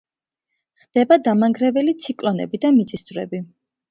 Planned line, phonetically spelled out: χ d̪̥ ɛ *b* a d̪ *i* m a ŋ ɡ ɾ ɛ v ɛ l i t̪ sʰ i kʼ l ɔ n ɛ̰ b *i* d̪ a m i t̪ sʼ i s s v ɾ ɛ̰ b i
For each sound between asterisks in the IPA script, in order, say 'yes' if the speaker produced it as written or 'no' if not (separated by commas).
yes, no, yes